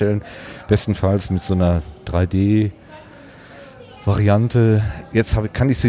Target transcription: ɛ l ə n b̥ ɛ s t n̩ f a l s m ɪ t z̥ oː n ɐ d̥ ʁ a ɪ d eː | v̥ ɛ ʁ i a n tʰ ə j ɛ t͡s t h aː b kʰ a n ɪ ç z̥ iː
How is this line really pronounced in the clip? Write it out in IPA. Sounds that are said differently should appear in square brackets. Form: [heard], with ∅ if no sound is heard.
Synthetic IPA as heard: ɛ l ə n b̥ ɛ s t n̩ f a l s m ɪ t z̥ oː n ɐ d̥ ʁ a ɪ d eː | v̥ [a] ʁ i a n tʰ ə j ɛ t͡s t h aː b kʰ a n ɪ ç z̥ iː